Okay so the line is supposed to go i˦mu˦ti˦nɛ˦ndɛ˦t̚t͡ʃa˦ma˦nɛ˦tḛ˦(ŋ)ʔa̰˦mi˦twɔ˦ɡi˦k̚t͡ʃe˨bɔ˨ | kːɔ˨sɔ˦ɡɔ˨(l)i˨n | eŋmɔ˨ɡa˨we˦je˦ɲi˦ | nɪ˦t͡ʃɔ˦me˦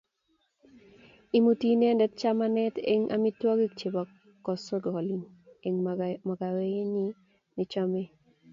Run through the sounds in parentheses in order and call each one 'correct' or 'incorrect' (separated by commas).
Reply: correct, correct